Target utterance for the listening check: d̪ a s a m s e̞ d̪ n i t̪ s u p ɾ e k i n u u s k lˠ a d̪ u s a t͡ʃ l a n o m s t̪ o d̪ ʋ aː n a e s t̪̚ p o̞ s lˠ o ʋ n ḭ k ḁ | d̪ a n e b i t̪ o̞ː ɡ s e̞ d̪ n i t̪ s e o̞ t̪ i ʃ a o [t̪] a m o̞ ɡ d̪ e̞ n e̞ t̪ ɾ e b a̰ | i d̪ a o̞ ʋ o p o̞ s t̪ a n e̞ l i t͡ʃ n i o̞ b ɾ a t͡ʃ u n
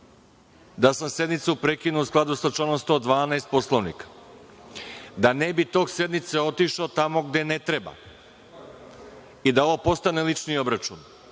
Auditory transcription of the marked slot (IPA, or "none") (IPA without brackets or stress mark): t̪